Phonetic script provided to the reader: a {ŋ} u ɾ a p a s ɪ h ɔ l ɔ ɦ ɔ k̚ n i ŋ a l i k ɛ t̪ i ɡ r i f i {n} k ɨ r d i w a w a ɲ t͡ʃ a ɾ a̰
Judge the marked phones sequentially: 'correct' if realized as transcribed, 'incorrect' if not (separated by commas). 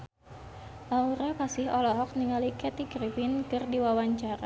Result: incorrect, correct